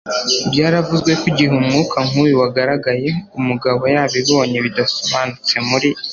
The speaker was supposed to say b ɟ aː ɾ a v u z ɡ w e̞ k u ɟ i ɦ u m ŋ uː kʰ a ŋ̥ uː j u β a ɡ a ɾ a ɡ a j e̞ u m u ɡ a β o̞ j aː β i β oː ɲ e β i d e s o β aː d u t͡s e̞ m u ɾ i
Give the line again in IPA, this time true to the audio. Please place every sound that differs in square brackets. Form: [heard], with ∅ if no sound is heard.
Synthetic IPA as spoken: b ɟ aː ɾ a v u z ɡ w e̞ k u ɟ i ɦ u m ŋ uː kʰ a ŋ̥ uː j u [w] a ɡ a ɾ a ɡ a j e̞ u m u ɡ a β o̞ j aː β i β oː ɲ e β i d [a] s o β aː [n] u t͡s e̞ m u ɾ i